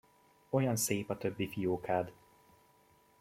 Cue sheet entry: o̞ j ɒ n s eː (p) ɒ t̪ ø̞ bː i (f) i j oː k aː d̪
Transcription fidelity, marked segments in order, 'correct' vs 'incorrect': correct, correct

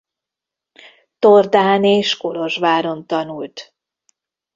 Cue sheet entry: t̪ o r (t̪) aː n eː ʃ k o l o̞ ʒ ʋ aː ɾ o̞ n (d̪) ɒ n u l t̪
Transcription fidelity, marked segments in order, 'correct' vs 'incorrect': incorrect, incorrect

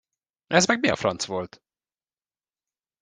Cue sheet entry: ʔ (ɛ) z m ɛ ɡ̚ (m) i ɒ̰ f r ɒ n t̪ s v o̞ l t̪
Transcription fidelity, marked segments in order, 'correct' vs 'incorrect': correct, correct

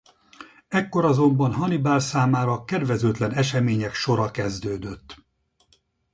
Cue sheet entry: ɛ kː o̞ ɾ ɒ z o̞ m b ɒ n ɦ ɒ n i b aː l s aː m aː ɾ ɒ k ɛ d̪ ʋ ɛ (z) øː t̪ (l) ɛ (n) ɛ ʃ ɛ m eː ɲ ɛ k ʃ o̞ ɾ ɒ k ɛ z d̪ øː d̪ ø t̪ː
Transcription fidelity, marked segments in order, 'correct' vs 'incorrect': correct, correct, correct

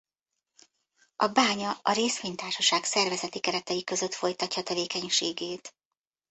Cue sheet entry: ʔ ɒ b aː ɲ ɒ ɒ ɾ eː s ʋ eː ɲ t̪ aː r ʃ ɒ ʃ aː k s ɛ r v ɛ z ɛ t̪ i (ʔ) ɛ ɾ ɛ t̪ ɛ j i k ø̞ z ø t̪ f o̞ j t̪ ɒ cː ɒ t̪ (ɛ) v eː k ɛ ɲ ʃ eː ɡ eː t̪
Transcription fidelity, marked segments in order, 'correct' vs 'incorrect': incorrect, correct

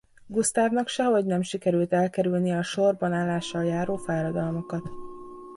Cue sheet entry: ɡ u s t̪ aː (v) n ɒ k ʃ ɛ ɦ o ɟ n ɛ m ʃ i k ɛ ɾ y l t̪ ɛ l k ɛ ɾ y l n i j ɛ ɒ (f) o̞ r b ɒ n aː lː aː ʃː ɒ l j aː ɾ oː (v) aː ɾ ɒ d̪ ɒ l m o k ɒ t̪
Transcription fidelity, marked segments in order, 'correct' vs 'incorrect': correct, incorrect, incorrect

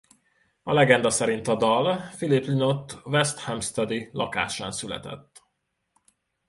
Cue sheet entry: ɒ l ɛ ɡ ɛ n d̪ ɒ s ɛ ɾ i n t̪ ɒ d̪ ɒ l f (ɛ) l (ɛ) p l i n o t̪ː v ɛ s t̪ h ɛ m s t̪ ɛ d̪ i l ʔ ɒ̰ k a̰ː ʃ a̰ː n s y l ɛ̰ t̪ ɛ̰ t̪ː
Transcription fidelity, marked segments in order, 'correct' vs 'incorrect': incorrect, incorrect

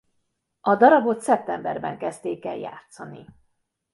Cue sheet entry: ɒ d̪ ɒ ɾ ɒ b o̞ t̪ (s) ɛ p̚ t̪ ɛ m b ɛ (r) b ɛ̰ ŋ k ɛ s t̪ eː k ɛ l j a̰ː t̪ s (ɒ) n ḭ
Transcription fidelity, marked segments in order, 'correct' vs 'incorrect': correct, correct, correct

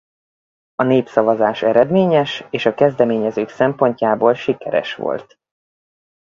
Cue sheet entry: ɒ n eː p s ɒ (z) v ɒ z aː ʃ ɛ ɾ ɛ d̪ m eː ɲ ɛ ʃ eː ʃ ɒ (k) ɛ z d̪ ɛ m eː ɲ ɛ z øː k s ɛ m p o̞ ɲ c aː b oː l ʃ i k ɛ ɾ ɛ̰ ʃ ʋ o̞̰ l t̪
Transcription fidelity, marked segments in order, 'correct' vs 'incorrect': incorrect, correct

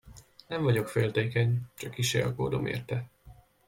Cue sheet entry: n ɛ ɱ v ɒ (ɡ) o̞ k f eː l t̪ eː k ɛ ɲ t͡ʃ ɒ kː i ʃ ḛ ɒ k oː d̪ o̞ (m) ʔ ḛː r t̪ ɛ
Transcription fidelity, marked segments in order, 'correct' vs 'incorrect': incorrect, correct

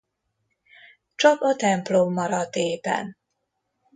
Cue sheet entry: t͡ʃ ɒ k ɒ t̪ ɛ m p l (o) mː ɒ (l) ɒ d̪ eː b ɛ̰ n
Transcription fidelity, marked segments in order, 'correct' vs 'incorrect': correct, incorrect

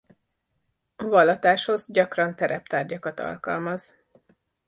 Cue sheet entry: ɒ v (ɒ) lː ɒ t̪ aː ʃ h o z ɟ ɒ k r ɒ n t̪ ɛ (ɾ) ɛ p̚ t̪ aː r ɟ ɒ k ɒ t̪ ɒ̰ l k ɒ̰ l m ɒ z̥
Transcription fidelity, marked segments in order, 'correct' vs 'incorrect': correct, correct

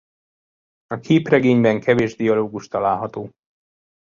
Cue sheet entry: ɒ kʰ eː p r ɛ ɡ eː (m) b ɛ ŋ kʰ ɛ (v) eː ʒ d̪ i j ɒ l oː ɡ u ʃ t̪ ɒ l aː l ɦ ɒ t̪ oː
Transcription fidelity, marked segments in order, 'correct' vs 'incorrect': incorrect, correct

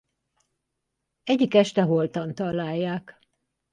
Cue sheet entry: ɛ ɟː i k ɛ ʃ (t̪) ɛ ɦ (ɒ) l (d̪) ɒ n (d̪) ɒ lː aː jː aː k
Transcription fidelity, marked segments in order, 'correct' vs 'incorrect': correct, incorrect, incorrect, incorrect

